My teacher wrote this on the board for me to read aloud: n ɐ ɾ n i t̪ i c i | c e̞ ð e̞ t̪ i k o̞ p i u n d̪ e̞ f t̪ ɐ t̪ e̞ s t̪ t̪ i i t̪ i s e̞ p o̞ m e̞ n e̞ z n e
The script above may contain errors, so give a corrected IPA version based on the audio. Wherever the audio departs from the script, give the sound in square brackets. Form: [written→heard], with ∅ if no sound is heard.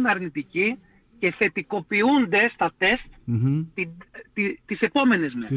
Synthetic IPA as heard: n ɐ ɾ n i t̪ i c i | c e̞ [ð→θ] e̞ t̪ i k o̞ p i u n d̪ e̞ [f→s] t̪ ɐ t̪ e̞ s t̪ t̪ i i t̪ i s e̞ p o̞ m e̞ n e̞ z [n→m] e